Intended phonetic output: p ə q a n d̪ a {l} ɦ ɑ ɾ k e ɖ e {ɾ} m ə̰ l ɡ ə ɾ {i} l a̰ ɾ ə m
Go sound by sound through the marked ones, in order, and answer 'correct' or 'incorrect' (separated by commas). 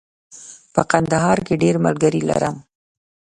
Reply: incorrect, correct, correct